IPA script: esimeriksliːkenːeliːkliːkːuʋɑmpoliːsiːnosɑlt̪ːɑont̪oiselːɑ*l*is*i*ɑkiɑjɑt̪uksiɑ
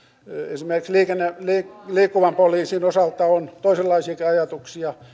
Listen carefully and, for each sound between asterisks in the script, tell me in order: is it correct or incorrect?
incorrect, correct

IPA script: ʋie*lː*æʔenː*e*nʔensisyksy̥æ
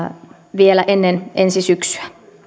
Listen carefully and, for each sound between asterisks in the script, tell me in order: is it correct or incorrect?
incorrect, correct

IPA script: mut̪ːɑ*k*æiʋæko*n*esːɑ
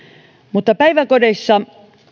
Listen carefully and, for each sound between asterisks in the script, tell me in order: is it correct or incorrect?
incorrect, incorrect

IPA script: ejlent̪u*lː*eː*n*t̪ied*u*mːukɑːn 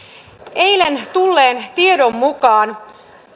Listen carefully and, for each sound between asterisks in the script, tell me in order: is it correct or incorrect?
correct, correct, incorrect

